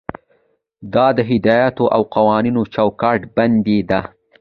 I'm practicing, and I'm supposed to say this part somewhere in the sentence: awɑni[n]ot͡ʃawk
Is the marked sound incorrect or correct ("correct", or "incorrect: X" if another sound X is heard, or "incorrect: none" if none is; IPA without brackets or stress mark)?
correct